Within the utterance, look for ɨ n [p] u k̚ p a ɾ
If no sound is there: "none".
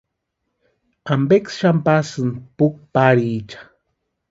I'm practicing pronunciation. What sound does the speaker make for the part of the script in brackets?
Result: p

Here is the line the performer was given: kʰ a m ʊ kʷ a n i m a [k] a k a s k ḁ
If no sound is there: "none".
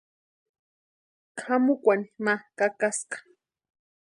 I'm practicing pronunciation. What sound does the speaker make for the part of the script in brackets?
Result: k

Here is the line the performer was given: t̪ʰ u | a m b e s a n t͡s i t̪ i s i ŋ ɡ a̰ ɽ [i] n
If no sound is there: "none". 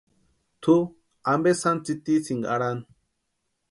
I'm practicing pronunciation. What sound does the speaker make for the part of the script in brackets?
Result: a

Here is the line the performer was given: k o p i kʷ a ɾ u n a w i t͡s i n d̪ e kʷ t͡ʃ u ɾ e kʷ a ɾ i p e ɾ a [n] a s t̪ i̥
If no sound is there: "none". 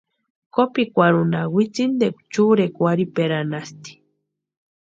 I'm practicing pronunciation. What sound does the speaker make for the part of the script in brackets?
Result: n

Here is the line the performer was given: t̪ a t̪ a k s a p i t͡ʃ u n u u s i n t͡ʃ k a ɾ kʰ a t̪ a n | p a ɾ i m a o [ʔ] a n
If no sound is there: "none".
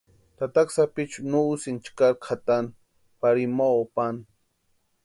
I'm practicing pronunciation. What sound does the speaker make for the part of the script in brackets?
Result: p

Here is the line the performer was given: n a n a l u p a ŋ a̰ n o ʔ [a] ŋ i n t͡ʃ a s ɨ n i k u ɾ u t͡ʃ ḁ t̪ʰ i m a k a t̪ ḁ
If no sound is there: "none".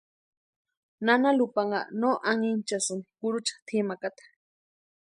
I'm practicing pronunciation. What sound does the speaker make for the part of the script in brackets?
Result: a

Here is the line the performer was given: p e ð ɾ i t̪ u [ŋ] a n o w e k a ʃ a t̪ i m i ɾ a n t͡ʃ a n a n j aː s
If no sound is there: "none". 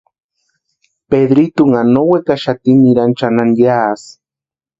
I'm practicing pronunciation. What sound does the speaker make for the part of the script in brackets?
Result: ŋ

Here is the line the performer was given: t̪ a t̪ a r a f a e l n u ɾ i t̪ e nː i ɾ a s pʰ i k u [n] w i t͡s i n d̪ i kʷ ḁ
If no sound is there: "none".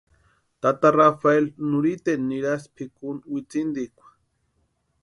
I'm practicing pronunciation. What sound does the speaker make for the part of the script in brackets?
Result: n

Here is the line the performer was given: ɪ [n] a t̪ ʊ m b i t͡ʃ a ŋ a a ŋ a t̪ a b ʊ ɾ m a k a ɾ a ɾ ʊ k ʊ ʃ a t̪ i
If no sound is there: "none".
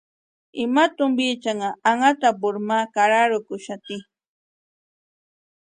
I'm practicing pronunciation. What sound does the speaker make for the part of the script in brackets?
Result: m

